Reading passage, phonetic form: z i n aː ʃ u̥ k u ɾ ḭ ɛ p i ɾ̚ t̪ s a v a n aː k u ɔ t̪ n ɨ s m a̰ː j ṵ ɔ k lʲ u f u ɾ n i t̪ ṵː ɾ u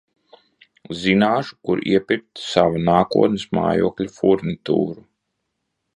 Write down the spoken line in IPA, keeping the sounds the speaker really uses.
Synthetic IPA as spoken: z i n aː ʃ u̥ k u ɾ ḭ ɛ p i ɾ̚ t̪ s a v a n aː k u ɔ t̪ n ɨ s m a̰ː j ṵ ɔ k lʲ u f u ɾ n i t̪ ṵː ɾ u